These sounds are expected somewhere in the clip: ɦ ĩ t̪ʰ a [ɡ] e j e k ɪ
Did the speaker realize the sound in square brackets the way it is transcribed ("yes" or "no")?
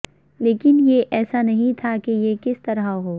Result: no